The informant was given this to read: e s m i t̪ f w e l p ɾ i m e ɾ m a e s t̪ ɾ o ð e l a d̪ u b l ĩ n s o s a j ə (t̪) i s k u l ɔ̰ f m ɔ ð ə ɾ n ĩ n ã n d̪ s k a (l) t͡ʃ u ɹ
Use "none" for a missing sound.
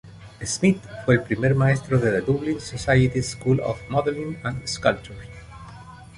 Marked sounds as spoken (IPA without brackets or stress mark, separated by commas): t̪, l